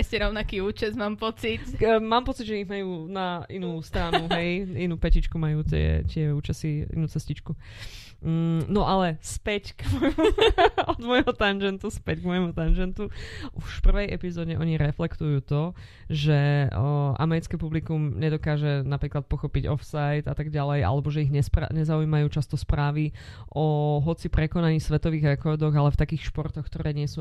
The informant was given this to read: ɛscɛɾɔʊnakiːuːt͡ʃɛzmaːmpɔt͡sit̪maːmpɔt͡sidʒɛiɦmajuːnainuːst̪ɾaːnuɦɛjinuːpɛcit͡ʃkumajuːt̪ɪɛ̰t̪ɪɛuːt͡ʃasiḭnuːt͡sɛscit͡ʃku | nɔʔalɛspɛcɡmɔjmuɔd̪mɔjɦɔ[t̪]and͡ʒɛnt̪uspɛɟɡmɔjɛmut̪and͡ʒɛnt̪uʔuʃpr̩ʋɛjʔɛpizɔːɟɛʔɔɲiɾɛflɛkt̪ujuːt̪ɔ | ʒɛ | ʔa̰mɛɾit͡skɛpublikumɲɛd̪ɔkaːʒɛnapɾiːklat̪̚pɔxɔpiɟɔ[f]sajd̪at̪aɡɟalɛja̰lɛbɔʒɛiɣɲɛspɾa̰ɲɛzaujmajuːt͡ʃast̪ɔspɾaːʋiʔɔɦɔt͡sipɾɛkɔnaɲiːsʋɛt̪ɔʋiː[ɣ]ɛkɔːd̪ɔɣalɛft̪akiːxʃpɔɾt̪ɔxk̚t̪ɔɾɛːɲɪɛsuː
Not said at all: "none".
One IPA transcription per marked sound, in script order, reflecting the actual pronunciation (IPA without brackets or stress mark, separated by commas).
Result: t̪, f, ɣ